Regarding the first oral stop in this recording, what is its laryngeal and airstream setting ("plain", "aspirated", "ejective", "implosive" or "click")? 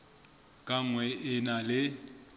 ejective